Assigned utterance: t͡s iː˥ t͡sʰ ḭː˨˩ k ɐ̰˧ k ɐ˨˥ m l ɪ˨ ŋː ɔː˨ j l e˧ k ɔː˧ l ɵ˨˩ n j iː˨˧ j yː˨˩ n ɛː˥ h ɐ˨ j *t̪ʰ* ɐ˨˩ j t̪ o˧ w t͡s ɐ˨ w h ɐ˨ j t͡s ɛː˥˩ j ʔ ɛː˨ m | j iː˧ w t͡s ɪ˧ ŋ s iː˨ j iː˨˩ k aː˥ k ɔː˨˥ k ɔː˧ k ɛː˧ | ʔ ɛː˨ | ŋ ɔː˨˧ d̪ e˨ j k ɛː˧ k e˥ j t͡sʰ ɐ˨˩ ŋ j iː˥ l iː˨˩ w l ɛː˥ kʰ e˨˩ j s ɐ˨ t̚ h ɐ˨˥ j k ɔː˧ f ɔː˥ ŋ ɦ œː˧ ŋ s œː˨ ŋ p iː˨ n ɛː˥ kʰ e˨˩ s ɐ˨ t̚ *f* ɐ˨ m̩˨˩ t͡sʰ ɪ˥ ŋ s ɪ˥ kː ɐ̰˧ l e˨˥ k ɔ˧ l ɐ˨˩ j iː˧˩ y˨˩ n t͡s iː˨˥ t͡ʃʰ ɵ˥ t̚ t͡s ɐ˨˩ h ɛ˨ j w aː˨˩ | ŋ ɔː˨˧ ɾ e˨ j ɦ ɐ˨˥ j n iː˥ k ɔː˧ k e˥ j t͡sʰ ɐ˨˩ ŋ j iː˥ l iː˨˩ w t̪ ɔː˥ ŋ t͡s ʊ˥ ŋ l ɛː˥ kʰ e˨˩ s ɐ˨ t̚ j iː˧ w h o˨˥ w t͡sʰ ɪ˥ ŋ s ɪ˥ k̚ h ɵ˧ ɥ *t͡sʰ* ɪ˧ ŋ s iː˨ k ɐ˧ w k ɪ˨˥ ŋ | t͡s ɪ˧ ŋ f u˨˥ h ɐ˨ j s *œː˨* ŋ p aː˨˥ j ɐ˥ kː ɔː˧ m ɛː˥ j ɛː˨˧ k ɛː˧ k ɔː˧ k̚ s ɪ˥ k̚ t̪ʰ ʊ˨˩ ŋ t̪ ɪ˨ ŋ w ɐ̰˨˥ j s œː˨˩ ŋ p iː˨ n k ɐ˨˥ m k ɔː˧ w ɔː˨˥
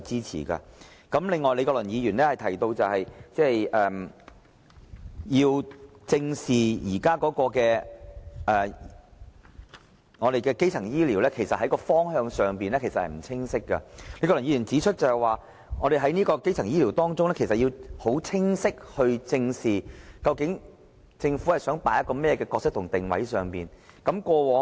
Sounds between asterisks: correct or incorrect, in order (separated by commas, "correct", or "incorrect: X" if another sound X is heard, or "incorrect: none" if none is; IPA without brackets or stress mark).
correct, incorrect: h, incorrect: t͡s, incorrect: œː˨˥